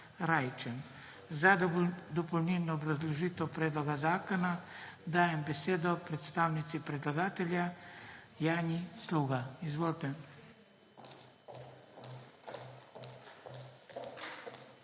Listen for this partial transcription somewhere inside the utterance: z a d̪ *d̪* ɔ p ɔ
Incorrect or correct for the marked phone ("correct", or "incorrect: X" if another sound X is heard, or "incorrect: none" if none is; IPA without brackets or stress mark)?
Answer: correct